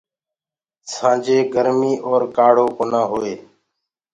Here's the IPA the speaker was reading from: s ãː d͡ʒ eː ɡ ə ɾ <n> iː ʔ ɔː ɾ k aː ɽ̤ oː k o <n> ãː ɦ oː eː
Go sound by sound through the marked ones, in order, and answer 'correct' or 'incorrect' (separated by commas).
incorrect, correct